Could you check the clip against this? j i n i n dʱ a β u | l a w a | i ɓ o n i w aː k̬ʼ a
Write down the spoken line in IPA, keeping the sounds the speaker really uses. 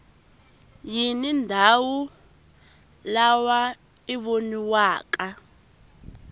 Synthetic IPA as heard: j i n i n dʱ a w u | l a w a | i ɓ o n i w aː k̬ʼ a